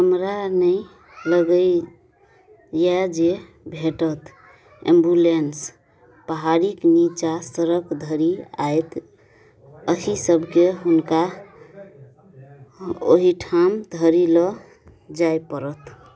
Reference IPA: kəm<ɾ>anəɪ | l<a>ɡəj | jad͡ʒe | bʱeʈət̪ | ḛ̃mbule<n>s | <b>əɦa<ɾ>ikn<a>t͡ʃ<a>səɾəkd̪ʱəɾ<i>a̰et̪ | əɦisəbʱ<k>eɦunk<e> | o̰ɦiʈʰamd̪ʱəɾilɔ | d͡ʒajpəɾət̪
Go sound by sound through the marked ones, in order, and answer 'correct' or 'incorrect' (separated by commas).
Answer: correct, incorrect, correct, incorrect, correct, incorrect, correct, correct, correct, incorrect